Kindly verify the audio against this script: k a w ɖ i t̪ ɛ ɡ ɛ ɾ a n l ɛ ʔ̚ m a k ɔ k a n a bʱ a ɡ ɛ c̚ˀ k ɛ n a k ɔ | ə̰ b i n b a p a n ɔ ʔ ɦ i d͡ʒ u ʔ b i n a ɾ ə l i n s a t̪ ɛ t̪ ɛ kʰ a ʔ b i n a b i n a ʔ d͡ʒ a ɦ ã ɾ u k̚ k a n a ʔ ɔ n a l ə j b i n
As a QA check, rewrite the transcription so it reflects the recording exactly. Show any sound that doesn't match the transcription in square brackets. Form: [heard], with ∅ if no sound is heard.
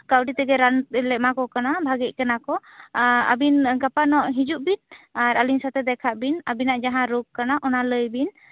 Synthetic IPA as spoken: k a w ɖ i t̪ ɛ ɡ ɛ ɾ a n l ɛ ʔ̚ m a k ɔ k a n a bʱ a ɡ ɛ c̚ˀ k [a] n a k ɔ | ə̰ b i n [ɡ] a p a n ɔ ʔ ɦ i d͡ʒ u ʔ b i n a ɾ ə l i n s a t̪ ɛ [d̪] ɛ kʰ a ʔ b i n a b i n a ʔ d͡ʒ a ɦ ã ɾ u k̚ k a n a ʔ ɔ n a l ə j b i n